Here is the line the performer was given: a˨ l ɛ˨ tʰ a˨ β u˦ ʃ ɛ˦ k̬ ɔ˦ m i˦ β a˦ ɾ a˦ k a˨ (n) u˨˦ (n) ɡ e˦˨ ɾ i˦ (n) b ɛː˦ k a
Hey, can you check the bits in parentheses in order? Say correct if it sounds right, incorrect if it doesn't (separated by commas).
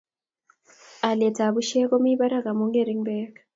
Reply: incorrect, incorrect, incorrect